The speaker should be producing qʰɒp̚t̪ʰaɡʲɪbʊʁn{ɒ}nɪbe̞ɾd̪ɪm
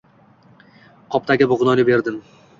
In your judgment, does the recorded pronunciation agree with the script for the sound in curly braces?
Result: yes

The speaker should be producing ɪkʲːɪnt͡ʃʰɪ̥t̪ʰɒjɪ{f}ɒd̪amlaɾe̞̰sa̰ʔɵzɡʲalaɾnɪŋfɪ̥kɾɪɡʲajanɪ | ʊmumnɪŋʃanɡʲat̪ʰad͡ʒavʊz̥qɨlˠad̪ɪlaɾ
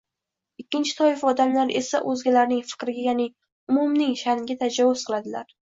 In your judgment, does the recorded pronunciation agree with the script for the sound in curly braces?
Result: yes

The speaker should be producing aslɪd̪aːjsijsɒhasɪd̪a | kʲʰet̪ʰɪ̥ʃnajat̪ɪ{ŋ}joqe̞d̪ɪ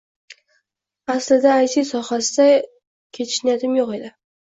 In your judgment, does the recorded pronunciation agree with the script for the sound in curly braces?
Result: no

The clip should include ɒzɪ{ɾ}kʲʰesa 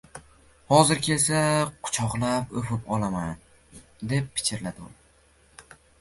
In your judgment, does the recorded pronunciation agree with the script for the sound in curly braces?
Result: yes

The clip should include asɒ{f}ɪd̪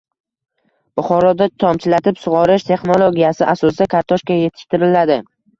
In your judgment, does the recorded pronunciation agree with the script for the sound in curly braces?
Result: no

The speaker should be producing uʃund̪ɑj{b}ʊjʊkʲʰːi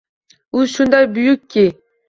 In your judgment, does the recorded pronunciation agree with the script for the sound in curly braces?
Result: yes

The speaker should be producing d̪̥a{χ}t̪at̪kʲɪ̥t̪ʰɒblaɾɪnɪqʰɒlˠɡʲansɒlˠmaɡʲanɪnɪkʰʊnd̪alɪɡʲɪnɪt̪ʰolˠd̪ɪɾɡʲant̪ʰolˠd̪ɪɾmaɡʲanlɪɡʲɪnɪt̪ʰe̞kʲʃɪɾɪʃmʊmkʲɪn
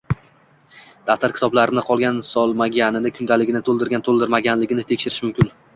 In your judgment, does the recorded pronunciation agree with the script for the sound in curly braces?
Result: no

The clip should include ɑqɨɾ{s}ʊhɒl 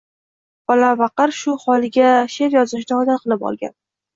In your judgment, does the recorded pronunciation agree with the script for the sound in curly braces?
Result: no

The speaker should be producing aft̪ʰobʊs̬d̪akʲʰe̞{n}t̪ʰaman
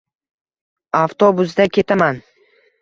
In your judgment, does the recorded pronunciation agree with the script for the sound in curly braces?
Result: no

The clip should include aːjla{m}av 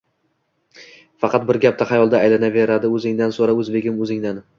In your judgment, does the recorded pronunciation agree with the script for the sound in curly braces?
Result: no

